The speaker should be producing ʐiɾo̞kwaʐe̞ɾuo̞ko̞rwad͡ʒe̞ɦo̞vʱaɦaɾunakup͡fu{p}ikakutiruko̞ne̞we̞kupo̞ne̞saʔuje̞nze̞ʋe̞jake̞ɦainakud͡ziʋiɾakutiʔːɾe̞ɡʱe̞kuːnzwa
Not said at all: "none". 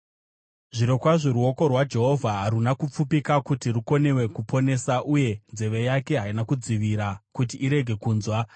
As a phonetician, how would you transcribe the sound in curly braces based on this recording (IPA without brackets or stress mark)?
p